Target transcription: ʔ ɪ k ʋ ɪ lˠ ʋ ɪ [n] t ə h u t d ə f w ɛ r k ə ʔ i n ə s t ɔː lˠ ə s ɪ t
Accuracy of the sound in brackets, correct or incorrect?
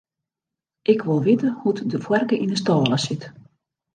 incorrect